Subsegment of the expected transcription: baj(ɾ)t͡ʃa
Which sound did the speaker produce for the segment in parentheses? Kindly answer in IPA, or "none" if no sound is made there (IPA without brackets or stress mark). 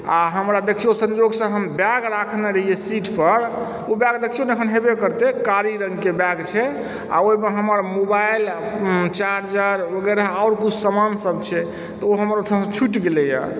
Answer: l